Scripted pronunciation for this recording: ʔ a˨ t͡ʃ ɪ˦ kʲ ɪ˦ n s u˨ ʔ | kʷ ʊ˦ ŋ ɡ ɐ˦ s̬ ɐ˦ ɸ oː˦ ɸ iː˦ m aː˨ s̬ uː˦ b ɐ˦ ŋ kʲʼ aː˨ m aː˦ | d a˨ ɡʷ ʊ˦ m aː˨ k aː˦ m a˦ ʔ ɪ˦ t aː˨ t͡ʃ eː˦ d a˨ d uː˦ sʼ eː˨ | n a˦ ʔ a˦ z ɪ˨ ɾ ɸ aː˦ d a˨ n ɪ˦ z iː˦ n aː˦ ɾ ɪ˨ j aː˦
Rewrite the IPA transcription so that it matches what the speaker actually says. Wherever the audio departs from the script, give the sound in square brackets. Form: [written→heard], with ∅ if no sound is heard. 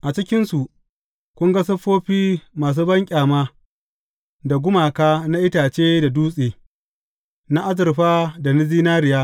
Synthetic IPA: ʔ a˨ t͡ʃ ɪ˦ kʲ ɪ˦ n s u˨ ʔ | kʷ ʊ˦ ŋ ɡ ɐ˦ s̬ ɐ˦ ɸ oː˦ ɸ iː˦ m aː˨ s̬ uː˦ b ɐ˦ ŋ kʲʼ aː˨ m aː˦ | d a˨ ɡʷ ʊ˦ m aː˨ k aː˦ [m→n] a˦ ʔ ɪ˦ t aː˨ t͡ʃ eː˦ d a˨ d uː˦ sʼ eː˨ | n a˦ ʔ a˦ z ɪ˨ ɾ ɸ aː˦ d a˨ n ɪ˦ z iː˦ n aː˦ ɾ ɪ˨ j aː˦